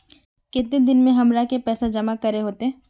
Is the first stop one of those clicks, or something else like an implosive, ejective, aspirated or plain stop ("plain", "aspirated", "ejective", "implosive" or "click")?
plain